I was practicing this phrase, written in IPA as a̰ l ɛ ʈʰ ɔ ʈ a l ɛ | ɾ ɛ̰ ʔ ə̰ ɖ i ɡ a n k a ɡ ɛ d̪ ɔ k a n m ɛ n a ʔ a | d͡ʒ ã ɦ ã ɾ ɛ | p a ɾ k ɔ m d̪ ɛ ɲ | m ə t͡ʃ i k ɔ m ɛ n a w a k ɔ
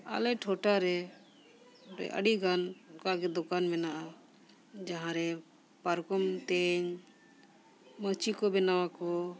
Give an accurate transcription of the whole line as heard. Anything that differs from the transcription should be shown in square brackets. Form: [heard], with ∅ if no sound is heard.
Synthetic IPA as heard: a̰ l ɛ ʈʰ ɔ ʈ a [ɾ] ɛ | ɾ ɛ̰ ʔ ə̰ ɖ i ɡ a n k a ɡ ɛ d̪ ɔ k a n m ɛ n a ʔ a | d͡ʒ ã ɦ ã ɾ ɛ | p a ɾ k ɔ m [t̪] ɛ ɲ | m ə t͡ʃ i k ɔ [b] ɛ n a w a k ɔ